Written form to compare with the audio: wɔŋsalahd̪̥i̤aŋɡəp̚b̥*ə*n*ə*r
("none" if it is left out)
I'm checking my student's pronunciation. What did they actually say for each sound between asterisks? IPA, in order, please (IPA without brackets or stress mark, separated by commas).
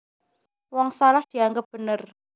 ə, ə